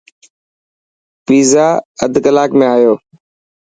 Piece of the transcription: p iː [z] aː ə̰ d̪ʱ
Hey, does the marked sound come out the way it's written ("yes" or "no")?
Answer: yes